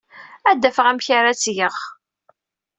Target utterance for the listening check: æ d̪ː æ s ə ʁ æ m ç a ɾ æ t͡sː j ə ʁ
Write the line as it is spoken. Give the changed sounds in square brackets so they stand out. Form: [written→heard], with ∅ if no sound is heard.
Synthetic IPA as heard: æ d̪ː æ [s→f] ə ʁ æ m ç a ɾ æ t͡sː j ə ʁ